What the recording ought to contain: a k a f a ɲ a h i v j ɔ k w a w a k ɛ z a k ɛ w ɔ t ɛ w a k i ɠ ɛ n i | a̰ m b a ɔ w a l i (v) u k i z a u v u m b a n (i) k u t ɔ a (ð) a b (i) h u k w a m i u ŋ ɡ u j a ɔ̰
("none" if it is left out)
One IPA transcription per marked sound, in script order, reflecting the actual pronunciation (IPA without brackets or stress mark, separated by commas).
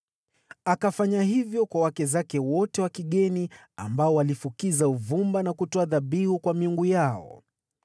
f, a, ð, i